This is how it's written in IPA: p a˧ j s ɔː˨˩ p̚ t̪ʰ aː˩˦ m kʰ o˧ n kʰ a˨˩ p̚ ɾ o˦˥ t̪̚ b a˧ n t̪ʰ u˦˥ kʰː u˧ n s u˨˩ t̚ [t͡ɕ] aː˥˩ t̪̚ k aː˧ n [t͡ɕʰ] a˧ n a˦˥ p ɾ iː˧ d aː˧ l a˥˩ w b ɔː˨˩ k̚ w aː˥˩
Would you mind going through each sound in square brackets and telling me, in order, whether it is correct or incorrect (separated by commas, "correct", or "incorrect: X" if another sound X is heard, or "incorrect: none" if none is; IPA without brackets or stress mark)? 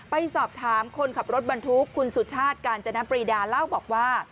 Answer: incorrect: t͡ɕʰ, incorrect: t͡ɕ